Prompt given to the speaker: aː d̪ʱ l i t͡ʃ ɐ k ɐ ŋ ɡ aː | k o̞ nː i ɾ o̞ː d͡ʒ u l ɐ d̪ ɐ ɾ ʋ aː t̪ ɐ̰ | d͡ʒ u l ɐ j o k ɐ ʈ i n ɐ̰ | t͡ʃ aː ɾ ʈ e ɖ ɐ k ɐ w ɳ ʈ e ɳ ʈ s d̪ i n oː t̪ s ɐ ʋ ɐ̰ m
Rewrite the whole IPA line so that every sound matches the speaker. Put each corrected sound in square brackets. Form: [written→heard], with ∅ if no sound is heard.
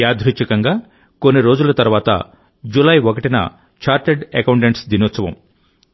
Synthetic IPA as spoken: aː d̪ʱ [l→ɾ] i t͡ʃ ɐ k ɐ ŋ ɡ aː | k o̞ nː i ɾ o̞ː d͡ʒ u l ɐ [d̪→t̪] ɐ ɾ ʋ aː t̪ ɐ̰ | d͡ʒ u l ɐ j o k ɐ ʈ i n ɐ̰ | t͡ʃ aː ɾ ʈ e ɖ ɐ k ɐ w ɳ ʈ e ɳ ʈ s d̪ i n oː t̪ s ɐ ʋ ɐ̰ m